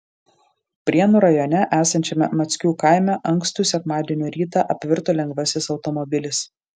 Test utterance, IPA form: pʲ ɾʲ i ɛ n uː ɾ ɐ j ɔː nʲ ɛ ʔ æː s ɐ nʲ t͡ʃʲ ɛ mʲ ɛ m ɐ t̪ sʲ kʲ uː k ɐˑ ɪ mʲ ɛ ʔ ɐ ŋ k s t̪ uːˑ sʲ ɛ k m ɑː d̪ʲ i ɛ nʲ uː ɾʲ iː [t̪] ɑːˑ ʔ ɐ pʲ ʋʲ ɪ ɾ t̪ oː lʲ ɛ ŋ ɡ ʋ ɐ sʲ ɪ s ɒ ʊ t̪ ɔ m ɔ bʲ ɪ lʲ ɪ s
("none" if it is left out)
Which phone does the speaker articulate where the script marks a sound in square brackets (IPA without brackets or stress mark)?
t̪